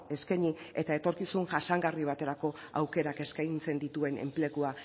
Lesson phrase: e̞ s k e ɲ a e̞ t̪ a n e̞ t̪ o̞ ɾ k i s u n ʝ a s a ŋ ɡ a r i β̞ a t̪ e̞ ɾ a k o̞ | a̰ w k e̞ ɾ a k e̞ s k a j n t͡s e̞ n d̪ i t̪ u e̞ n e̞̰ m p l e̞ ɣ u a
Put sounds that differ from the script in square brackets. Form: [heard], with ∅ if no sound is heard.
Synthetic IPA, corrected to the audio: e̞ s k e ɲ [i] e̞ t̪ a [∅] e̞ t̪ o̞ ɾ k i s u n ʝ a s a ŋ ɡ a r i β̞ a t̪ e̞ ɾ a k o̞ | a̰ w k e̞ ɾ a k e̞ s k a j n t͡s e̞ n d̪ i t̪ u e̞ n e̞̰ m p l e̞ ɣ u a